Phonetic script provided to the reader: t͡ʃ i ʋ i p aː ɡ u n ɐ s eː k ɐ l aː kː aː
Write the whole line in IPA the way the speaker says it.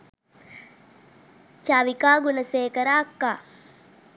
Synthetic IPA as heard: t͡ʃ a ʋ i k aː ɡ u n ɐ s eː k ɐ ɾ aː kː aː